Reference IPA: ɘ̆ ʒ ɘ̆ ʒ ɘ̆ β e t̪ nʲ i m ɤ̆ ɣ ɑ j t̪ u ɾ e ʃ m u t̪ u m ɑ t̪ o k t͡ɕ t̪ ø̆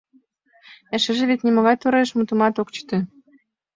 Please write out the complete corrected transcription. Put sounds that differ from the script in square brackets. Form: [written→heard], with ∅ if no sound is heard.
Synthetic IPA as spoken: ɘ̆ [ʒ→ʃ] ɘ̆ ʒ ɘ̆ β e t̪ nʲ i m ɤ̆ ɣ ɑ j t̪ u ɾ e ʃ m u t̪ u m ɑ t̪ o k t͡ɕ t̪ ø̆